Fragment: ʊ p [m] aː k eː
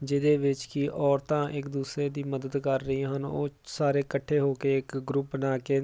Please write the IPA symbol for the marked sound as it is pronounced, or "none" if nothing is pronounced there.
n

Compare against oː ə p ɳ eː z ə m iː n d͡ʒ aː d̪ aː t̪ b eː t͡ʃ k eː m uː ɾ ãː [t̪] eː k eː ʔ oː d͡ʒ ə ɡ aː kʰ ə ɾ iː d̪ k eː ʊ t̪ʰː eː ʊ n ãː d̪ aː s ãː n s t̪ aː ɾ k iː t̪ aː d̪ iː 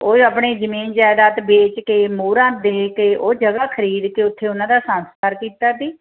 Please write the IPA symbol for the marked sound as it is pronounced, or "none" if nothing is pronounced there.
d̪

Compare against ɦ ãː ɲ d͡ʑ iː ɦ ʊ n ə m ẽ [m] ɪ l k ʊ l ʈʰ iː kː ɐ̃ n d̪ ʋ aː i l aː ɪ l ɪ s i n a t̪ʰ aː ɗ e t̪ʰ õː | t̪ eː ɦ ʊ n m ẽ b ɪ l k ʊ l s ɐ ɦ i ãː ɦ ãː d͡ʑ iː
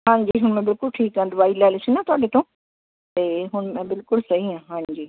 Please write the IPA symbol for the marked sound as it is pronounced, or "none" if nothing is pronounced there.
b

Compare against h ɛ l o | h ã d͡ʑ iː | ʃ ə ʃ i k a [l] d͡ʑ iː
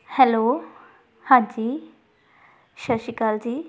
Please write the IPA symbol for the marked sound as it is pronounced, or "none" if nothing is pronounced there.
l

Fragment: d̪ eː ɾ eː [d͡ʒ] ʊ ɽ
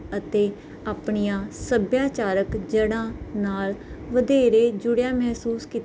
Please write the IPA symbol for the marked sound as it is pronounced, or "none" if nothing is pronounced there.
d͡ʒ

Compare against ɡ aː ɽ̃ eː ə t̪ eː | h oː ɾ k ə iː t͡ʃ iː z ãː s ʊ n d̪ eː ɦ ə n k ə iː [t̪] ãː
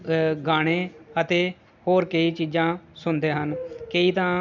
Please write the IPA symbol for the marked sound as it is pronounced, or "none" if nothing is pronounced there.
t̪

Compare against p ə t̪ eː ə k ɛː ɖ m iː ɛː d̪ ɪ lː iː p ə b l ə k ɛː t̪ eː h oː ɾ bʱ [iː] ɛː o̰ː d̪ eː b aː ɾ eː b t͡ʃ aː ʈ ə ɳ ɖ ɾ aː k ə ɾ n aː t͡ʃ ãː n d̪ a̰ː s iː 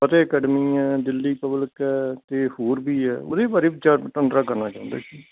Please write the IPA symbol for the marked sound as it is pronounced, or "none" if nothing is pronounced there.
iː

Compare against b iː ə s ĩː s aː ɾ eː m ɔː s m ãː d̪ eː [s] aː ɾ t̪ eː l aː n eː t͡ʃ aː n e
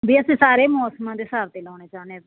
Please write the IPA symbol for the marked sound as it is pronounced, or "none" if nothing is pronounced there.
s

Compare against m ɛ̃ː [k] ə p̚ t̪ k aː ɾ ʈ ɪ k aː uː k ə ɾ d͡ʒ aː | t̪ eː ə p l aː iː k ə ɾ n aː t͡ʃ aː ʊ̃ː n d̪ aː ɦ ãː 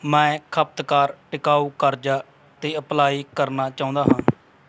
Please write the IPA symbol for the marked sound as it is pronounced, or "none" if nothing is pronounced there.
kʰ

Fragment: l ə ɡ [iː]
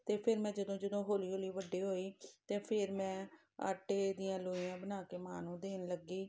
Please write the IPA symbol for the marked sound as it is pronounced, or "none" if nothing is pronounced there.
iː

